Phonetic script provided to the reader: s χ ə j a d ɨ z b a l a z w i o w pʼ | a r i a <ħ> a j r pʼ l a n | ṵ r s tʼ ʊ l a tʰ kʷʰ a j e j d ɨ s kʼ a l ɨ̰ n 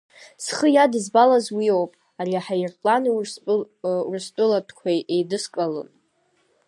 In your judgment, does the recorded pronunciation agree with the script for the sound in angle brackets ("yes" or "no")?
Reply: yes